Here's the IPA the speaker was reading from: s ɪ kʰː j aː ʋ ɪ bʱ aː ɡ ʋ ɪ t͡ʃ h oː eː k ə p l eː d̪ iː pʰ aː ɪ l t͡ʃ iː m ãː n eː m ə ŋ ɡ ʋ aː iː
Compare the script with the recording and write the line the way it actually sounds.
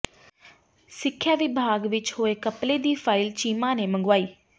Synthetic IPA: s ɪ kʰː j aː ʋ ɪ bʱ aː ɡ ʋ ɪ t͡ʃ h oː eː k ə p l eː d̪ iː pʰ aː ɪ l t͡ʃ iː m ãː n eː m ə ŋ ɡ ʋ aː iː